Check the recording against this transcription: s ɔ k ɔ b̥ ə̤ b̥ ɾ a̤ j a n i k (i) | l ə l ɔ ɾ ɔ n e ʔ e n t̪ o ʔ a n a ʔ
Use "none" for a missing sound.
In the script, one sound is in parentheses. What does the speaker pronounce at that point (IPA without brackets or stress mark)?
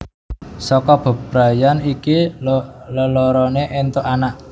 i